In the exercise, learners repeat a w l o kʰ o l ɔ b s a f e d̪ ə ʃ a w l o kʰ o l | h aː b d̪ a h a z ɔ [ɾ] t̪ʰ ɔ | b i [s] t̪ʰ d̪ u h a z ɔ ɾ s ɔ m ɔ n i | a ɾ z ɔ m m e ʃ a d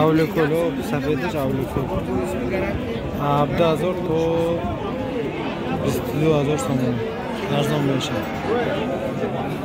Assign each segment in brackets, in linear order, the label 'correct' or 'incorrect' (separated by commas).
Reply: correct, correct